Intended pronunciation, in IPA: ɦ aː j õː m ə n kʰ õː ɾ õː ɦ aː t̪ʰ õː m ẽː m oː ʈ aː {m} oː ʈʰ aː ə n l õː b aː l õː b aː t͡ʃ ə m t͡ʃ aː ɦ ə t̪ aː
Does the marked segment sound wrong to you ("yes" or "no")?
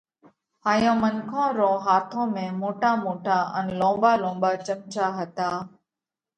no